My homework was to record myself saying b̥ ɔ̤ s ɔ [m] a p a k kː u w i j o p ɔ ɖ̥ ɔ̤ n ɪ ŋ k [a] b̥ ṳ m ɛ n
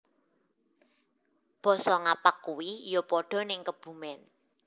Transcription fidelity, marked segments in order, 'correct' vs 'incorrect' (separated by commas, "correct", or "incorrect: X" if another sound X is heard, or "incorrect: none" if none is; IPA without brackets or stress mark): incorrect: ŋ, incorrect: ə